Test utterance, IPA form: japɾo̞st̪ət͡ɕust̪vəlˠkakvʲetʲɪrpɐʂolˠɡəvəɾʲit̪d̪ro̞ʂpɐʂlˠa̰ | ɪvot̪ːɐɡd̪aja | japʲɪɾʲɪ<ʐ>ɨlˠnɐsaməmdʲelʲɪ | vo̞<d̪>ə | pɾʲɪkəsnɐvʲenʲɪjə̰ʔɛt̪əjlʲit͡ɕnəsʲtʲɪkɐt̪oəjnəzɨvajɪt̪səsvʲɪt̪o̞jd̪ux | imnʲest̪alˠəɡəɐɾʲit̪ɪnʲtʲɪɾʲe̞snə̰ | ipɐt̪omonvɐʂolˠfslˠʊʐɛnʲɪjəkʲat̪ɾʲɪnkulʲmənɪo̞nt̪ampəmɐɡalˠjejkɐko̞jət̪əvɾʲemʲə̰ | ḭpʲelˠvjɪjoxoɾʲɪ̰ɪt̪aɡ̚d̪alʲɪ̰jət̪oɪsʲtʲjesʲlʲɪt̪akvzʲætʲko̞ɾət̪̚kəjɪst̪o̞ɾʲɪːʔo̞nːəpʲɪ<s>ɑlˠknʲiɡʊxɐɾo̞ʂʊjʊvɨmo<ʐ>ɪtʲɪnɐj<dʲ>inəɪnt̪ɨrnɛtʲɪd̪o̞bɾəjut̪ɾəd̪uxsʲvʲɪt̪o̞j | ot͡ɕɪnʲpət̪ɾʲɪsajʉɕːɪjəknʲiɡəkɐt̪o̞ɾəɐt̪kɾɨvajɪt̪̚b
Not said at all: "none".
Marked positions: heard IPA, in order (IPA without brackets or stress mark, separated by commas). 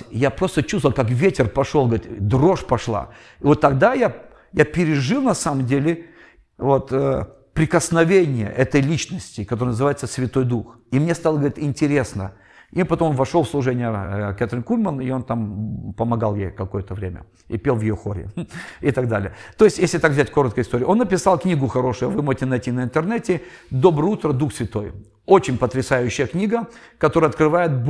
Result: ʐ, t̪, s, ʐ, tʲ